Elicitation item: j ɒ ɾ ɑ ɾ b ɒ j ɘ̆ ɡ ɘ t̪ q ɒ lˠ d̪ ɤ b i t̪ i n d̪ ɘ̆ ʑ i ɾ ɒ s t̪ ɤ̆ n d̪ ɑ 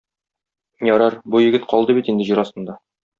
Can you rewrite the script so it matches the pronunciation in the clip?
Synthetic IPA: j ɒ ɾ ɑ ɾ b u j ɘ̆ ɡ ɘ t̪ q ɒ lˠ d̪ ɤ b i t̪ i n d̪ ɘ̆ ʑ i ɾ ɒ s t̪ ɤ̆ n d̪ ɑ

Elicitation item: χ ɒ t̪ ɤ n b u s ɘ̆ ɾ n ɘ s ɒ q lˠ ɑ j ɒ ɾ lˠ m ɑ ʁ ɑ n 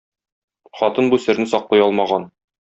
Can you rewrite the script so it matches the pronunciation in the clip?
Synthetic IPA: χ ɒ t̪ ɤ n b u s ɘ̆ ɾ n ɘ s ɒ q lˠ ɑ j ɒ lˠ m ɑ ʁ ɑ n

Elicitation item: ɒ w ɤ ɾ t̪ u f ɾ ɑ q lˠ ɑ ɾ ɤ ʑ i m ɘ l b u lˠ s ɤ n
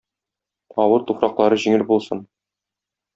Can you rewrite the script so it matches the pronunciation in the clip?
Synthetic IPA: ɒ w ɤ ɾ t̪ u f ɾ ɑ q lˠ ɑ ɾ ɤ ʑ i ŋ ɘ l b u lˠ s ɤ n

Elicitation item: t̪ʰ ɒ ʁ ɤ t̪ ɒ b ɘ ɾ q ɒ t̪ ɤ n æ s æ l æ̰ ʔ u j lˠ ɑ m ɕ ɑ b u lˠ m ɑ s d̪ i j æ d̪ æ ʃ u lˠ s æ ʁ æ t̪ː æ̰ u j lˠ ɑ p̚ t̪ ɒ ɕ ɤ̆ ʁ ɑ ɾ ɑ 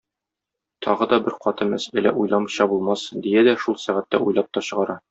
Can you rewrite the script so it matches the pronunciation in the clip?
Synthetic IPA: t̪ʰ ɒ ʁ ɤ d̪ ɒ b ɘ ɾ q ɒ t̪ ɤ m æ s æ l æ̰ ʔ u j lˠ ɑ m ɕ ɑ b u lˠ m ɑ s d̪ i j æ d̪ æ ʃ u lˠ s æ ʁ æ t̪ː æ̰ u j lˠ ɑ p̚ t̪ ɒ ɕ ɤ̆ ʁ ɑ ɾ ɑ

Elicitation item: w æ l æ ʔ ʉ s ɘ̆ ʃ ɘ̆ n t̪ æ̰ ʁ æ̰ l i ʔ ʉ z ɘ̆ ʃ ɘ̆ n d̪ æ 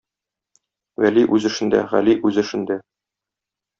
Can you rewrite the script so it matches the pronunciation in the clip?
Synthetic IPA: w æ l i ʔ ʉ z ɘ̆ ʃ ɘ̆ n d̪ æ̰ ʁ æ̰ l i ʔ ʉ z ɘ̆ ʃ ɘ̆ n d̪ æ

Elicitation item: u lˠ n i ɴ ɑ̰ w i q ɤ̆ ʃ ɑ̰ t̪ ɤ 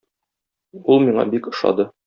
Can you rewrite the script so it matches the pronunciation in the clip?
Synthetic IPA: u lˠ m i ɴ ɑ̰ b i k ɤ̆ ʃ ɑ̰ d̪ ɤ

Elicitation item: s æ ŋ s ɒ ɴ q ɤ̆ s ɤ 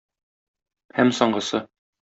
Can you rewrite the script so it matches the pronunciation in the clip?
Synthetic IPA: h æ m s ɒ ɴ ɢ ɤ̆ s ɤ

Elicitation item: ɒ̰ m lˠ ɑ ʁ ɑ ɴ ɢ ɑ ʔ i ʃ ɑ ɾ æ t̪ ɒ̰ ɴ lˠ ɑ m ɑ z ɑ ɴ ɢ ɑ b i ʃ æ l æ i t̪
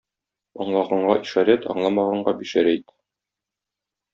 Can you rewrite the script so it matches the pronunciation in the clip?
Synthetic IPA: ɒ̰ ɴ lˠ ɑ ʁ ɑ ɴ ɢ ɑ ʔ i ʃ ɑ ɾ æ t̪ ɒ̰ ɴ lˠ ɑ m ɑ ʁ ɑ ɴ ɢ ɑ b i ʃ æ ɾ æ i t̪

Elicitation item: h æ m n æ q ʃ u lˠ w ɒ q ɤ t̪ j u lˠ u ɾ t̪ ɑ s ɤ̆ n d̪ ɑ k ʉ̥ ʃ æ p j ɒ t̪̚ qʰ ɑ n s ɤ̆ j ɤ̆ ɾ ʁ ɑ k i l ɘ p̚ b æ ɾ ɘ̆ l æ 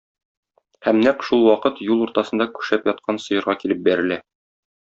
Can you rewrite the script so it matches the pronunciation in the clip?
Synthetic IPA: h æ m n æ q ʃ u lˠ w ɒ q ɤ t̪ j u lˠ u ɾ t̪ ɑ s ɤ̆ n d̪ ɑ k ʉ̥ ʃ æ p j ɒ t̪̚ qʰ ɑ n s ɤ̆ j ɤ̆ ɾ ʁ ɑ k i l ɘ p̚ b æ ɾ ɘ̆ l æ

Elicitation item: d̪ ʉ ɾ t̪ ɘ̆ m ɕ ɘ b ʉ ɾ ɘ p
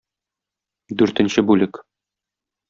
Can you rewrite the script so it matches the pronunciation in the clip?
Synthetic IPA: d̪ ʉ ɾ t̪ ɘ̆ n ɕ ɘ b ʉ l ɘ k

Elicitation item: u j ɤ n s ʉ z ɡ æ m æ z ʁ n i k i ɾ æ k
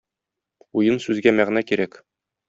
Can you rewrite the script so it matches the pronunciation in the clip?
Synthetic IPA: u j ɤ n s ʉ z ɡ æ m æ ʁ n æ k i ɾ æ k

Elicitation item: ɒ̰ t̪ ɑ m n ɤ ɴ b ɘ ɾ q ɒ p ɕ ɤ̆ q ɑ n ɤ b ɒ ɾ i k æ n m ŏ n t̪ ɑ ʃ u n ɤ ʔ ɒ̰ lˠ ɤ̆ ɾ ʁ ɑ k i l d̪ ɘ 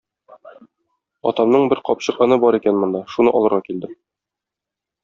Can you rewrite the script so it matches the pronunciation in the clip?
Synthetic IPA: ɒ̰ t̪ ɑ m n ɤ ɴ b ɘ ɾ q ɒ p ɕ ɤ̆ q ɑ n ɤ b ɒ ɾ i k æ n m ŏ n d̪ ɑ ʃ u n ɤ ʔ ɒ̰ lˠ ɤ̆ ɾ ʁ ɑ k i l d̪ ɘ

